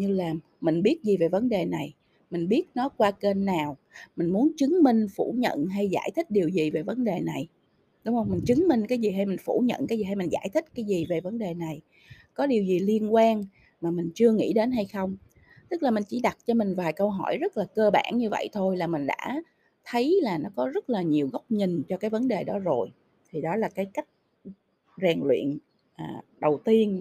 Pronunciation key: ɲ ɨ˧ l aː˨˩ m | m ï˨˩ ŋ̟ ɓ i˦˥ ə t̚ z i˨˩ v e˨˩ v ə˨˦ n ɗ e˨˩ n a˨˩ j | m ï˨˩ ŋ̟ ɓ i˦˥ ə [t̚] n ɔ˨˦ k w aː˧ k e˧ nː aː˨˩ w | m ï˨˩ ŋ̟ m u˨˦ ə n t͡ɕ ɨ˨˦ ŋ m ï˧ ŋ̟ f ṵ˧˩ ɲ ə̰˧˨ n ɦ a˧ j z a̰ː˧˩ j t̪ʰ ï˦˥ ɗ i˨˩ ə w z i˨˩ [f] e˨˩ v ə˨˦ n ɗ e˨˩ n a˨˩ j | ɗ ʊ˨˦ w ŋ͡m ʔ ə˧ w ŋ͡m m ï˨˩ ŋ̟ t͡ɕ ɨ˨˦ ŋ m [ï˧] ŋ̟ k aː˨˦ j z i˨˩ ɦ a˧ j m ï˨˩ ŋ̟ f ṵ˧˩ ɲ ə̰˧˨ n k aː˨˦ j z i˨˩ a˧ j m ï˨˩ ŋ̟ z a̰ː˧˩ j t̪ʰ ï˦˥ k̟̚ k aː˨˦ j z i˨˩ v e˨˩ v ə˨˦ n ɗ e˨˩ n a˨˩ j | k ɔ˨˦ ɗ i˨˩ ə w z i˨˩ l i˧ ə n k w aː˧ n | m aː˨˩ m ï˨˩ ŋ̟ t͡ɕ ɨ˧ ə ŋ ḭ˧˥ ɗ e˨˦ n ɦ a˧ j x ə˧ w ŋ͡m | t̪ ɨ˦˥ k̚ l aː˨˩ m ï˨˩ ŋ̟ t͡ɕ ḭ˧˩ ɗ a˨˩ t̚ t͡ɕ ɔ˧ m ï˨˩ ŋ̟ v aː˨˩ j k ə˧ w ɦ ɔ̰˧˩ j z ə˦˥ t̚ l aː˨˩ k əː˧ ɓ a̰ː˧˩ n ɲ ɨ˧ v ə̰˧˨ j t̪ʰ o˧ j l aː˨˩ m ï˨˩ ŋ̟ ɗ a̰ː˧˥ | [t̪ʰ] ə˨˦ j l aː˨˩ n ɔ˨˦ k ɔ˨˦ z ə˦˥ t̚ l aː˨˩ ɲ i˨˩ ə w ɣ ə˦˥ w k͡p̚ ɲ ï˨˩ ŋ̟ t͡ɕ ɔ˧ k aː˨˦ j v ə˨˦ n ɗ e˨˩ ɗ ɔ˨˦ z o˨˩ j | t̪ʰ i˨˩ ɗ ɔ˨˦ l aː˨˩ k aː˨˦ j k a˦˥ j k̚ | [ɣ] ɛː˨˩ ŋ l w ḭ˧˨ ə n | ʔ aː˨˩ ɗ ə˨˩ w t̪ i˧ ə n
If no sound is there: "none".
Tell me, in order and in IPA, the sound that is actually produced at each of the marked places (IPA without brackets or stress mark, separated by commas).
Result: t̚, v, ï˧, t̪ʰ, z